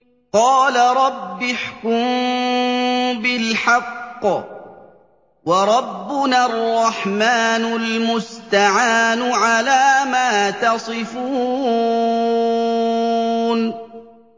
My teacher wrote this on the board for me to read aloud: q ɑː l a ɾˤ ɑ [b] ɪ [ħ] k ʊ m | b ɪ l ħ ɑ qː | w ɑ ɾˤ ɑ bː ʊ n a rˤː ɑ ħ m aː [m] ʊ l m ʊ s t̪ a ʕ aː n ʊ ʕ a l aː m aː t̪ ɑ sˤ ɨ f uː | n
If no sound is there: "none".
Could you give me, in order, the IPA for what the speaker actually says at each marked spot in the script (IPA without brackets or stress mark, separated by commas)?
bː, ħ, n